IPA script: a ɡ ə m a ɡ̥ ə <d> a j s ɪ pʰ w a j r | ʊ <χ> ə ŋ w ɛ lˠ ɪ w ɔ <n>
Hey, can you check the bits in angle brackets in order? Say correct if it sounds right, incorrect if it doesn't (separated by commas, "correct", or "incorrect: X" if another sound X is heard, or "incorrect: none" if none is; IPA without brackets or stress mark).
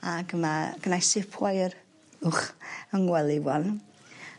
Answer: incorrect: n, correct, correct